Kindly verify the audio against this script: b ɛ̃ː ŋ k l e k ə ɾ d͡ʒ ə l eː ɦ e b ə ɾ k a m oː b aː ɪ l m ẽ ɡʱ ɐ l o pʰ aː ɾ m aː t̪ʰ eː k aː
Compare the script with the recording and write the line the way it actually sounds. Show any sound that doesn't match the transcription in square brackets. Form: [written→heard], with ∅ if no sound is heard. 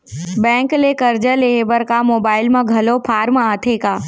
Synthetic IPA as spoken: b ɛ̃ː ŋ k l e k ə ɾ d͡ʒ ə l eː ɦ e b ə ɾ k a m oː b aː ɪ l m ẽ ɡʱ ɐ l o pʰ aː ɾ m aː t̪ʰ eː k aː